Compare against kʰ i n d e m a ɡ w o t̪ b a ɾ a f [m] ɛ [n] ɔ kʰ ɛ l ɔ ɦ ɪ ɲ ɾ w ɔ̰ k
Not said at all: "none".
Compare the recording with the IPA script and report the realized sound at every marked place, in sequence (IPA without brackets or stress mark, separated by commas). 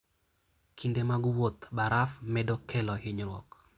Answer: m, d